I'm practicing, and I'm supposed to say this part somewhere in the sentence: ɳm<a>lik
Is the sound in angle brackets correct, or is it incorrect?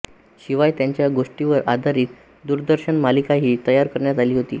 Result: correct